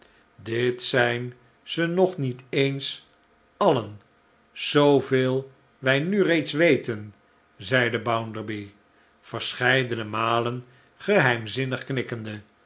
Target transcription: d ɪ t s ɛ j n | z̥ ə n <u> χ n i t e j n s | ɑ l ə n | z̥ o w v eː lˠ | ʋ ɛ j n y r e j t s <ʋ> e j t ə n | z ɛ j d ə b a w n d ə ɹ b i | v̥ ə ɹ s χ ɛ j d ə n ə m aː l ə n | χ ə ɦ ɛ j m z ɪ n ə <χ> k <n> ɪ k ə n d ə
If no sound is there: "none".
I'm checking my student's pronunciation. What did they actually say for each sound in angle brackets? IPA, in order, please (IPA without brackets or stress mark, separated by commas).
ɔ, ʋ, χ, n